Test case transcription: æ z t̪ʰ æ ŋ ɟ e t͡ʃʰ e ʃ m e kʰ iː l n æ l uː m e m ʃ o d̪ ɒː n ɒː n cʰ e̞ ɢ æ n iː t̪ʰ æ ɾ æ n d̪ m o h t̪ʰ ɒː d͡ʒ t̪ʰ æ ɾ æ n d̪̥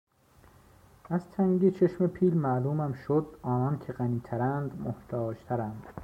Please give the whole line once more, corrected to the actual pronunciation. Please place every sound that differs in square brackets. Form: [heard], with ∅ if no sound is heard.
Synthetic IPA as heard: æ z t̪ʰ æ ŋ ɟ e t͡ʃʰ e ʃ m e [pʰ] iː l [m] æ l uː m [æ] m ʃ o d̪ ɒː n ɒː n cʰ e̞ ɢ æ n iː t̪ʰ æ ɾ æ n d̪ m o h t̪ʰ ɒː d͡ʒ t̪ʰ æ ɾ æ n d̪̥